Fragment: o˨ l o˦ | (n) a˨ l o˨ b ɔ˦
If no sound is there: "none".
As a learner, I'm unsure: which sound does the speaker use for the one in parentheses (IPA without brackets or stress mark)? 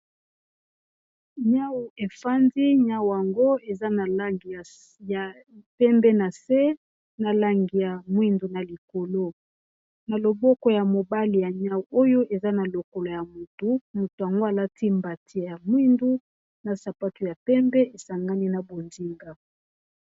n